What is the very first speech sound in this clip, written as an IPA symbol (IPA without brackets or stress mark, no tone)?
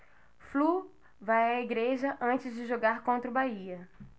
f